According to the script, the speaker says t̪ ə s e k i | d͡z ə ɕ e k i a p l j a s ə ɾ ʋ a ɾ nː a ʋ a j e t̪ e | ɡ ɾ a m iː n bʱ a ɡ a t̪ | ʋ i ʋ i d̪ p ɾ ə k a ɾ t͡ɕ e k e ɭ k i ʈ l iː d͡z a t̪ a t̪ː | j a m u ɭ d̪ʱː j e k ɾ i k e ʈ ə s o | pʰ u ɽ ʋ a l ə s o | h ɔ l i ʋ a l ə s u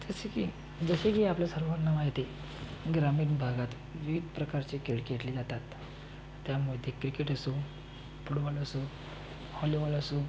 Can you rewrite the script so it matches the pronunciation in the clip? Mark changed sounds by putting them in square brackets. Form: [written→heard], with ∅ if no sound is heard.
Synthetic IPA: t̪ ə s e k i | d͡z ə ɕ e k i a p l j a s ə ɾ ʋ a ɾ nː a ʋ a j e t̪ e | ɡ ɾ a m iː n bʱ a ɡ a t̪ | ʋ i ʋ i d̪ p ɾ ə k a ɾ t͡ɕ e k e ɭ k [i→e] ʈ l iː d͡z a t̪ a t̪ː | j a m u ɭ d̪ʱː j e k ɾ i k e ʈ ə s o | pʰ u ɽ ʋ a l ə s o | h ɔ l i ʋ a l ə s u